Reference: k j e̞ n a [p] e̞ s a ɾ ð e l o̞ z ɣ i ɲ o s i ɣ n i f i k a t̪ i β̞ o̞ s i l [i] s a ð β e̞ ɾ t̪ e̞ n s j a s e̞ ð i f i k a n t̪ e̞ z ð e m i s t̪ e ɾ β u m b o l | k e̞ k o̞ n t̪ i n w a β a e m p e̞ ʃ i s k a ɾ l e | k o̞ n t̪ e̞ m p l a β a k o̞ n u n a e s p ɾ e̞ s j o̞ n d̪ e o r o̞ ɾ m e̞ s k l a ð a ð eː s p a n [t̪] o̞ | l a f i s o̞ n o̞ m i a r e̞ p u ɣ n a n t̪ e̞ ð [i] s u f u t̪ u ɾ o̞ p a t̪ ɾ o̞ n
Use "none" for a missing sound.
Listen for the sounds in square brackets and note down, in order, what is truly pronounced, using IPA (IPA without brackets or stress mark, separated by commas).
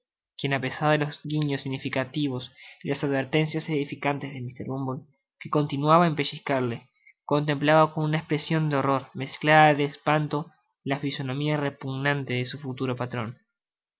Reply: p, a, t̪, e